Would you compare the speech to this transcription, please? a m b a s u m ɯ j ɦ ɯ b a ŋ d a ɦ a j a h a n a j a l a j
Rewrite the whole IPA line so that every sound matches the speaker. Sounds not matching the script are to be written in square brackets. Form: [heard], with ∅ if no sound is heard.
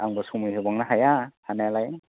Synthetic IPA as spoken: a [ŋ] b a s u m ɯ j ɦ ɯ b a ŋ [n] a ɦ a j a h a n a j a l a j